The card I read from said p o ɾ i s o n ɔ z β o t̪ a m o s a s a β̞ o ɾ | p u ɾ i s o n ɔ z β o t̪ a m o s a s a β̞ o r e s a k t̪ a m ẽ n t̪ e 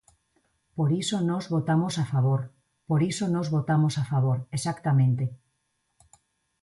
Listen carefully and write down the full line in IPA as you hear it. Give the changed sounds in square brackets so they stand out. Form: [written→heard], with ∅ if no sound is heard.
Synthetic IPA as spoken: p o ɾ i s o n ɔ z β o t̪ a m o s a [s→f] a β̞ o ɾ | p [u→o] ɾ i s o n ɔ z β o t̪ a m o s a [s→f] a β̞ o [r→ɾ] e s a k t̪ a m ẽ n t̪ e